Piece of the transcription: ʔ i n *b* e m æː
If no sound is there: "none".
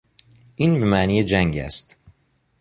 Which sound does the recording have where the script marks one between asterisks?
b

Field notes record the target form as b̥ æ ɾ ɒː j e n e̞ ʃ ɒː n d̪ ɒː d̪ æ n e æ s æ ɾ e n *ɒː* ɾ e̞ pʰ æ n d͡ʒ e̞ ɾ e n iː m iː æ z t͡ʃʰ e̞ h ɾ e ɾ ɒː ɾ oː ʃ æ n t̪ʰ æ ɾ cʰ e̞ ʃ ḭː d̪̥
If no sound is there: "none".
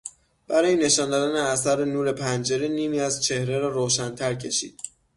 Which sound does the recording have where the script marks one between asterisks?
uː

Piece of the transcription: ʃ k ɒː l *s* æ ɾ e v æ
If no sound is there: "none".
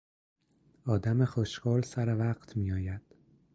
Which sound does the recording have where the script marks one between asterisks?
s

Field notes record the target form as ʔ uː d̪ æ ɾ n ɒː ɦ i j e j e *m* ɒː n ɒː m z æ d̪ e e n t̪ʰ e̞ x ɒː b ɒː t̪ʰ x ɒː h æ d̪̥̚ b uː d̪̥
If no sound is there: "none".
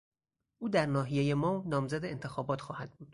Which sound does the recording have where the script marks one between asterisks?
m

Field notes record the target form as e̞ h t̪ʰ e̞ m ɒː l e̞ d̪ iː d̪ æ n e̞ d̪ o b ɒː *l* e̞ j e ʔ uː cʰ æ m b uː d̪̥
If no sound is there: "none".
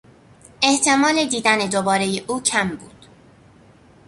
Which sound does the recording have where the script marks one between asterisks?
ɾ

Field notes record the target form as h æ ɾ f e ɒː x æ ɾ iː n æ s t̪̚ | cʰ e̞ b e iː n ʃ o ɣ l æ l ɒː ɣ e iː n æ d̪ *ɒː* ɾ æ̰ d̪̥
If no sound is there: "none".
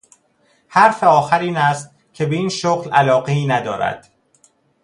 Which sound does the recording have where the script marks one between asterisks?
ɒː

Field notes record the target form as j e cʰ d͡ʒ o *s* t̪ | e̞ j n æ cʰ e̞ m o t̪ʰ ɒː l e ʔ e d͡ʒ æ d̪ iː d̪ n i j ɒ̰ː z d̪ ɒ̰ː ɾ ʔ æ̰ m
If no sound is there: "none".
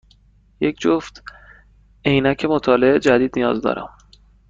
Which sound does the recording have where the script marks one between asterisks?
f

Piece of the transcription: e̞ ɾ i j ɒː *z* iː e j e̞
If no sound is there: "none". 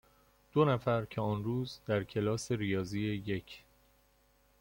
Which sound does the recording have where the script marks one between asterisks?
z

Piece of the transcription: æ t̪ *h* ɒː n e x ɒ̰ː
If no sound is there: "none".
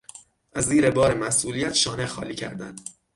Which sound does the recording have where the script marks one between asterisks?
ʃ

